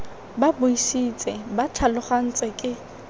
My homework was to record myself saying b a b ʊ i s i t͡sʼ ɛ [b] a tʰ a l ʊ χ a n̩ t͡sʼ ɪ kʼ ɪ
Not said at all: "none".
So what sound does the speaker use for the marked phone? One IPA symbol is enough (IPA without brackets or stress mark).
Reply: b